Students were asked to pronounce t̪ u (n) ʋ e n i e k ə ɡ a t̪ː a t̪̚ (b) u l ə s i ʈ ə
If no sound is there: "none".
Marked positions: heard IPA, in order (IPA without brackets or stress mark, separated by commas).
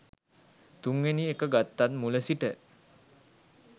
ŋ, m